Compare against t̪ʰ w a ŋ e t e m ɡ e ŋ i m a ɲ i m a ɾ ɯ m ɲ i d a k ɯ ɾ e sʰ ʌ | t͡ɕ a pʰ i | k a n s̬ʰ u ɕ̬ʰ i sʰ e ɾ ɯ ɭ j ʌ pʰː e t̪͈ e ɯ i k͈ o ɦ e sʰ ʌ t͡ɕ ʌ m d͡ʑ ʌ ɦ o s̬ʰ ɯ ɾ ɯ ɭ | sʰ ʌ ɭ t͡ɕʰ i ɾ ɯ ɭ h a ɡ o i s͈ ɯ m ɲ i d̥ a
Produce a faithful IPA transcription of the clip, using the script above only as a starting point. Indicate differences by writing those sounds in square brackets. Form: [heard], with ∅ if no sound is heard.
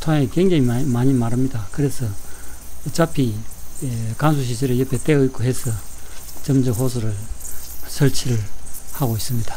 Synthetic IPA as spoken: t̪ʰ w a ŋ e [k] e [ŋ] ɡ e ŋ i m a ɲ i m a ɾ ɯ m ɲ i d a k ɯ ɾ e sʰ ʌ | t͡ɕ a pʰ i | k a n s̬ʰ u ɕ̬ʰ i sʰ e ɾ ɯ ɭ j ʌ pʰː e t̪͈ e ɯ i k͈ o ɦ e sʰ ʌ t͡ɕ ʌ m d͡ʑ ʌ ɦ o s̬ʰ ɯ ɾ ɯ ɭ | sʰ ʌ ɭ t͡ɕʰ i ɾ ɯ ɭ h a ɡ o i s͈ ɯ m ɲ i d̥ a

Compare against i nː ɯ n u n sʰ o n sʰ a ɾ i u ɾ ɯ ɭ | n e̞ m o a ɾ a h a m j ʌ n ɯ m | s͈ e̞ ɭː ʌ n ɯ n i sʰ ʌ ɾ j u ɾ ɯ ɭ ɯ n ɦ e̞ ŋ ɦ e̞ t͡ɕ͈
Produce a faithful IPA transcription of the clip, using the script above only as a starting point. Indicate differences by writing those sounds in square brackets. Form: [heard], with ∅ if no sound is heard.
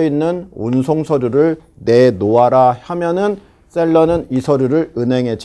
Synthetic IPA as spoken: i nː ɯ n u n sʰ o [ŋ] sʰ [ʌ] ɾ [j] u ɾ ɯ ɭ | n e̞ [n] o a ɾ a h a m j ʌ n ɯ [n] | s͈ e̞ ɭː ʌ n ɯ n i sʰ ʌ ɾ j u ɾ ɯ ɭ ɯ n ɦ e̞ ŋ ɦ e̞ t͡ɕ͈

